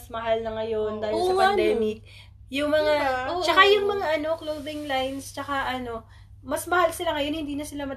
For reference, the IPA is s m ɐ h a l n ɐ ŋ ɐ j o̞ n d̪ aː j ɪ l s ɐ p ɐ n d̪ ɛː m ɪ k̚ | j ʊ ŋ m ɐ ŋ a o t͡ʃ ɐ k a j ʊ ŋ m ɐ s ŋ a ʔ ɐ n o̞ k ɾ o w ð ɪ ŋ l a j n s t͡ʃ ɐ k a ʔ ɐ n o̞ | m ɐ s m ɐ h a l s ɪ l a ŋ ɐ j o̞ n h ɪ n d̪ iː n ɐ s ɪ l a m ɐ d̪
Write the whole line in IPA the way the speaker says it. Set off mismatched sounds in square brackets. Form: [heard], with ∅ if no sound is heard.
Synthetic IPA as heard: s m ɐ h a l n ɐ ŋ ɐ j o̞ n d̪ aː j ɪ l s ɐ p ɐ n d̪ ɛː m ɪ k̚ | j ʊ ŋ m ɐ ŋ a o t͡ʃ ɐ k a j ʊ ŋ m ɐ [∅] ŋ a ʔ ɐ n o̞ k [l] o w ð ɪ ŋ l a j n s t͡ʃ ɐ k a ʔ ɐ n o̞ | m ɐ s m ɐ h a l s ɪ l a ŋ ɐ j o̞ n h ɪ n d̪ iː n ɐ s ɪ l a m ɐ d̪